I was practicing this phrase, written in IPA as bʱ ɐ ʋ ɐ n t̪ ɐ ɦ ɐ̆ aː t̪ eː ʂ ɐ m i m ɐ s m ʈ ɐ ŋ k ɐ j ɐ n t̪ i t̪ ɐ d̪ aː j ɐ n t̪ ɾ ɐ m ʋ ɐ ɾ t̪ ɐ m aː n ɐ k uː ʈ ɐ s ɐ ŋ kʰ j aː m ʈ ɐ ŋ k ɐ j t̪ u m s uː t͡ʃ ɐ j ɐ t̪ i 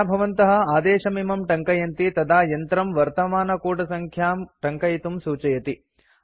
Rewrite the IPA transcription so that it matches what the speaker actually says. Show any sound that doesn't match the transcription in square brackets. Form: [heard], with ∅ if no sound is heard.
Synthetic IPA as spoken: bʱ ɐ ʋ ɐ n t̪ ɐ ɦ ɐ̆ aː [d̪] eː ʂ ɐ m i m ɐ [∅] m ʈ ɐ ŋ k ɐ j ɐ n t̪ i t̪ ɐ d̪ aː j ɐ n t̪ ɾ ɐ m ʋ ɐ ɾ t̪ ɐ m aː n ɐ k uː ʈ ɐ s ɐ ŋ kʰ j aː m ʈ ɐ ŋ k ɐ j t̪ u m s uː t͡ʃ ɐ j ɐ t̪ i

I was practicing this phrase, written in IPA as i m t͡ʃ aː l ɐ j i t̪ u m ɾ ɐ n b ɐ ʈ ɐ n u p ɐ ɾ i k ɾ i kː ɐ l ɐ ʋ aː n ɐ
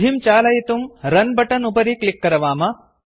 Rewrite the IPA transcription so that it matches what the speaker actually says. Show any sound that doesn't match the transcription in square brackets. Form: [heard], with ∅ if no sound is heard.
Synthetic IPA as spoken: i m t͡ʃ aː l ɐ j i t̪ u m ɾ ɐ n b ɐ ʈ ɐ n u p ɐ ɾ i k [l] i kː ɐ [ɾ] ɐ ʋ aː [m] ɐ

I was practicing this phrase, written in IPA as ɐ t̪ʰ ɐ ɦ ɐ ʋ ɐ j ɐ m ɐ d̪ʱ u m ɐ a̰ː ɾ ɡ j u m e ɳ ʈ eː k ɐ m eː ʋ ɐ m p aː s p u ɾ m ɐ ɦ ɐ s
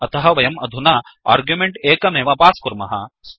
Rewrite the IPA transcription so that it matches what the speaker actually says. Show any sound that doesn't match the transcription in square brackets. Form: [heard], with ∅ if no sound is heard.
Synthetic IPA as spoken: ɐ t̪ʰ ɐ ɦ ɐ ʋ ɐ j ɐ m ɐ d̪ʱ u [n] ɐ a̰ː ɾ ɡ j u m e ɳ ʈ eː k ɐ m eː ʋ ɐ [∅] p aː s [k] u ɾ m ɐ ɦ ɐ s

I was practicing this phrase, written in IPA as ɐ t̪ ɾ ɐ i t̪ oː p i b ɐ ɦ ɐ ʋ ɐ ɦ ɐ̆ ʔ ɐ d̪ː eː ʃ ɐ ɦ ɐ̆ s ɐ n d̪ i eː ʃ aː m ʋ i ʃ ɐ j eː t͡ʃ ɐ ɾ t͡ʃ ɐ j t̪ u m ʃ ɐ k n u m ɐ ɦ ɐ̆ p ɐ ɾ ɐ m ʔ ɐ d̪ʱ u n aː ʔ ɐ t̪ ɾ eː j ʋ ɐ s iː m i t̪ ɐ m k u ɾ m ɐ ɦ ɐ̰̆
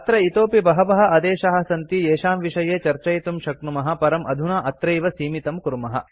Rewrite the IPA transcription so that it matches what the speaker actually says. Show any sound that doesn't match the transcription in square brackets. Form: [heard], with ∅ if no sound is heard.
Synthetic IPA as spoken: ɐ t̪ ɾ ɐ i t̪ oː p i b ɐ ɦ ɐ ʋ ɐ ɦ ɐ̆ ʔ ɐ [d̪] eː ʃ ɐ ɦ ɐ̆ s ɐ n [t̪] i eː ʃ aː m ʋ i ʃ ɐ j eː t͡ʃ ɐ ɾ t͡ʃ ɐ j t̪ u m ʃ ɐ k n u m ɐ ɦ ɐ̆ p ɐ ɾ ɐ m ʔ ɐ d̪ʱ u n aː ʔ ɐ t̪ ɾ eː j ʋ ɐ s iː m i t̪ ɐ m k u ɾ m ɐ ɦ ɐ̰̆

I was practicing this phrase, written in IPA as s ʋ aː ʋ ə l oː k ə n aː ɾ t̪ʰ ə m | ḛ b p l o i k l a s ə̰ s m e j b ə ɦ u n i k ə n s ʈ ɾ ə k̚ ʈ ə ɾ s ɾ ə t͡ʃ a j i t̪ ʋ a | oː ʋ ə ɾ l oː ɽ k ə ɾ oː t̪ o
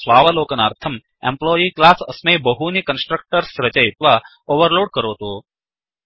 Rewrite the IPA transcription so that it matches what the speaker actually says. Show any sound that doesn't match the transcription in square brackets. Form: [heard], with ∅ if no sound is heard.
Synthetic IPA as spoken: s ʋ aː ʋ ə l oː k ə n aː ɾ t̪ʰ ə m | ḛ [m] p l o i k l a s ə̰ s m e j b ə ɦ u n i k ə n s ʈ ɾ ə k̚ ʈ ə ɾ s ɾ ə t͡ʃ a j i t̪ ʋ a | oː ʋ ə ɾ l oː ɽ k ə ɾ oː t̪ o

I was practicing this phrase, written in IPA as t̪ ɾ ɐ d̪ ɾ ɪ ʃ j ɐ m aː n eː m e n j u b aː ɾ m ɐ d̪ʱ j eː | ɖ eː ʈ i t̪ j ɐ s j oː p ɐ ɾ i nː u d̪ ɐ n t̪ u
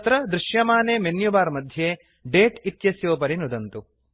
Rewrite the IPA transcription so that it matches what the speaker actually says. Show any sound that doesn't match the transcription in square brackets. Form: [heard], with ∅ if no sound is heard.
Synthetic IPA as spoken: t̪ ɾ ɐ d̪ ɾ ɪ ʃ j ɐ m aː n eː m e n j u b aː ɾ m ɐ d̪ʱ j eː | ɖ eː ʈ i t̪ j ɐ s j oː p ɐ ɾ i [n] u d̪ ɐ n t̪ u

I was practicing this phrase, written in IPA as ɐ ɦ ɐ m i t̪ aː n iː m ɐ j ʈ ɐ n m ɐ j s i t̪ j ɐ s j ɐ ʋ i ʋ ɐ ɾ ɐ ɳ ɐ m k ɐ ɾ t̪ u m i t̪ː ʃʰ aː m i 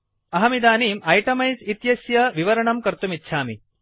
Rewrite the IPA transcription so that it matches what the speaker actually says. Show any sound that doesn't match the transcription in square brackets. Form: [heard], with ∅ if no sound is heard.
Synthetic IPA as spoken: ɐ ɦ ɐ m i [d̪] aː n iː m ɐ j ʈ ɐ [∅] m ɐ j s i t̪ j ɐ s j ɐ ʋ i ʋ ɐ ɾ ɐ ɳ ɐ m k ɐ ɾ t̪ u m i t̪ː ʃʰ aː m i

